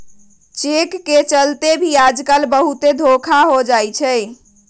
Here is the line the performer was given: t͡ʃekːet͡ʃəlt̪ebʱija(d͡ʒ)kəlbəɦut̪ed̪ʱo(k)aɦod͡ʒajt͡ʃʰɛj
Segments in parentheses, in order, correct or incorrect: correct, incorrect

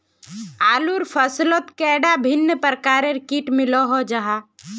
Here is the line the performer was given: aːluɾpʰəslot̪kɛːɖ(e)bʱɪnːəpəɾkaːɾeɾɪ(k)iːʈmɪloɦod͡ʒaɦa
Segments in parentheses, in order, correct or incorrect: incorrect, correct

